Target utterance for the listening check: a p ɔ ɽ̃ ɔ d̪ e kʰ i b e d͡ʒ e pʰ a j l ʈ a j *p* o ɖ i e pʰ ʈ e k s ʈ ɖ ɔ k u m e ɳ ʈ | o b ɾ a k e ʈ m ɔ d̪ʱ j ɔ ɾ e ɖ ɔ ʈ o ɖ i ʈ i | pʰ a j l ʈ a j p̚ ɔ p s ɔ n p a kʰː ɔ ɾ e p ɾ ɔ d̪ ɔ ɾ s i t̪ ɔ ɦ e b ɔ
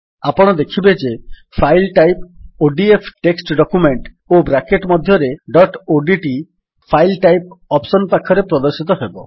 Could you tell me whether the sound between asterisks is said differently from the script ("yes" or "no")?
no